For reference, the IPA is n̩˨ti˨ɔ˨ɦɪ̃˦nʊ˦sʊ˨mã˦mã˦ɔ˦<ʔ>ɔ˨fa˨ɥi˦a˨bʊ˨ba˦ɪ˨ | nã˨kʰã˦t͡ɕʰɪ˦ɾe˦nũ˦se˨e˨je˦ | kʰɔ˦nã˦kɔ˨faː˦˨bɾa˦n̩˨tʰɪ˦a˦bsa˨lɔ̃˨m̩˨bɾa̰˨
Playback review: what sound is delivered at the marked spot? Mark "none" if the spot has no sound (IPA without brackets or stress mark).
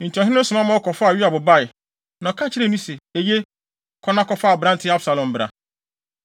k